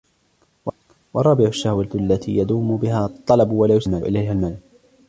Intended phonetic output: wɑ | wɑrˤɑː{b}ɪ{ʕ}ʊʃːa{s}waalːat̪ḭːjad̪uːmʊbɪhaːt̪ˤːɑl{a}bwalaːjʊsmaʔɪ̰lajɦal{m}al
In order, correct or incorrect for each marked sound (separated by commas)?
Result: correct, correct, incorrect, incorrect, correct